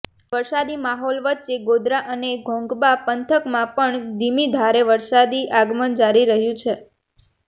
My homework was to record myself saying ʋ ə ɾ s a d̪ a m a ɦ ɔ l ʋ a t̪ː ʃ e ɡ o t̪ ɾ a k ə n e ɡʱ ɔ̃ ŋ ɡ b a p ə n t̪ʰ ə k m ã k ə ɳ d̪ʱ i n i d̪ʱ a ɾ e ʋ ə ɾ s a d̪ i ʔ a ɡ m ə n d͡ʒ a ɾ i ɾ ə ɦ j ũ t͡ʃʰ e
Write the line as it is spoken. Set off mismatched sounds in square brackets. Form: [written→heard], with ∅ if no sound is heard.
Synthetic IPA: ʋ ə ɾ s a d̪ [a→i] m a ɦ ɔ l ʋ [a→ə] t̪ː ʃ e ɡ o [t̪→d̪] ɾ a [k→ʔ] ə n e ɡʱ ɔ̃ ŋ ɡ b a p ə n t̪ʰ ə k m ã [k→p] ə ɳ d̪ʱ i [n→m] i d̪ʱ a ɾ e ʋ ə ɾ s a d̪ i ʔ a ɡ m ə n d͡ʒ a ɾ i ɾ ə ɦ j ũ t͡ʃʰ e

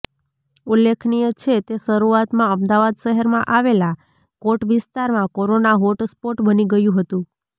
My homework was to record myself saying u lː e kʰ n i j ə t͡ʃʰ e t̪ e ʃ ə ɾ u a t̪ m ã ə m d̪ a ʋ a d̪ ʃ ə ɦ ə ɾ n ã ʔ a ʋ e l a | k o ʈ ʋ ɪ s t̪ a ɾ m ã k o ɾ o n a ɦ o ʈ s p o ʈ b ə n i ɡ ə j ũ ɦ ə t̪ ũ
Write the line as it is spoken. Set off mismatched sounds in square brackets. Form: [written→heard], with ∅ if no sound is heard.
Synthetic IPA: u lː e kʰ n i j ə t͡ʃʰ e t̪ e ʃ ə ɾ u a t̪ m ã ə m d̪ a ʋ a d̪ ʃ ə ɦ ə ɾ [n→m] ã ʔ a ʋ e l a | k o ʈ ʋ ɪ s t̪ a ɾ m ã k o ɾ o n a ɦ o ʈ s p o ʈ b ə n i ɡ ə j ũ ɦ ə t̪ ũ

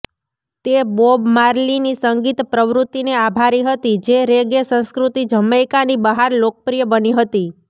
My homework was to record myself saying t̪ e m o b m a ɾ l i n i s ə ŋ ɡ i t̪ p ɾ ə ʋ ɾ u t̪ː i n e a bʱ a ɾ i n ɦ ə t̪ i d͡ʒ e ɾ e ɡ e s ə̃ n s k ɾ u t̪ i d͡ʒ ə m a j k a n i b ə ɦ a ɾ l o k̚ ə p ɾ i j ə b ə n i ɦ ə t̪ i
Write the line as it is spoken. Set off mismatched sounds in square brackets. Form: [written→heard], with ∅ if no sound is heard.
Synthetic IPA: t̪ e [m→b] o b m a ɾ l i n i s ə ŋ ɡ i t̪ p ɾ ə ʋ ɾ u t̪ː i n e a bʱ a ɾ i [n→∅] ɦ ə t̪ i d͡ʒ e ɾ e ɡ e s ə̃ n s k ɾ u t̪ i d͡ʒ ə m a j k a n i b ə ɦ a ɾ l o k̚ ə p ɾ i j ə b ə n i ɦ ə t̪ i

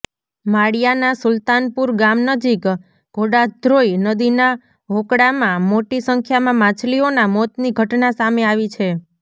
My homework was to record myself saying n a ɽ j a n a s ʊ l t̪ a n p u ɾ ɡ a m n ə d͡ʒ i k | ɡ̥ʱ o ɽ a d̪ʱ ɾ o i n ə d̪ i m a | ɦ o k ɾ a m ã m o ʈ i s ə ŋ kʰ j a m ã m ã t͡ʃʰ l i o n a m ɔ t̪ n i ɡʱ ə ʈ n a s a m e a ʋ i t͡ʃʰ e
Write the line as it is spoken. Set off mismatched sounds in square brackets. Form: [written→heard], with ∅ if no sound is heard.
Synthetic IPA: [n→m] a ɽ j a n a s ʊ l t̪ a n p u ɾ ɡ a m n ə d͡ʒ i k | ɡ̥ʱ o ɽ a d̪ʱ ɾ o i n ə d̪ i [m→n] a | ɦ o k [ɾ→ɽ] a m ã m o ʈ i s ə ŋ kʰ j a m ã m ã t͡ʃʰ l i o n a m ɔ t̪ n i ɡʱ ə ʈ n a s a m e a ʋ i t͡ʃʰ e

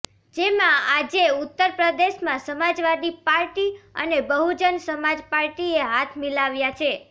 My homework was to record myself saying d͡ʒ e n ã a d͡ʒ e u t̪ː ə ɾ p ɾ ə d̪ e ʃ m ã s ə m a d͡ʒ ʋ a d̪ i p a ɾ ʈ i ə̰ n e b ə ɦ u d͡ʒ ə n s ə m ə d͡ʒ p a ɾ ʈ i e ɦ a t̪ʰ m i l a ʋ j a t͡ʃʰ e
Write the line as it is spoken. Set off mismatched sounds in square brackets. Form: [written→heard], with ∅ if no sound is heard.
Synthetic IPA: d͡ʒ e [n→m] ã a d͡ʒ e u t̪ː ə ɾ p ɾ ə d̪ e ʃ m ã s ə m a d͡ʒ ʋ a d̪ i p a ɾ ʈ i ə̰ n e b ə ɦ u d͡ʒ ə n s ə m [ə→a] d͡ʒ p a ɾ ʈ i e ɦ a t̪ʰ m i l a ʋ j a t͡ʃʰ e

